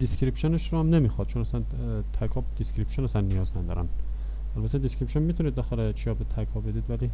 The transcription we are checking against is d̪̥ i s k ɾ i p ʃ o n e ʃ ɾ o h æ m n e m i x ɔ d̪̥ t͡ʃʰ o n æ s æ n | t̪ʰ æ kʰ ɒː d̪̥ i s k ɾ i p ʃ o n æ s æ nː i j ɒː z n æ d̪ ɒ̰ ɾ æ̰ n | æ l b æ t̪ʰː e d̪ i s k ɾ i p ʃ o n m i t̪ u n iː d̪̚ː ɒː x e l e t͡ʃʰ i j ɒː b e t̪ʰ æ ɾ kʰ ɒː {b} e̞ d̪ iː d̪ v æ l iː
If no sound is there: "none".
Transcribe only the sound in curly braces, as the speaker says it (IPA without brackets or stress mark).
b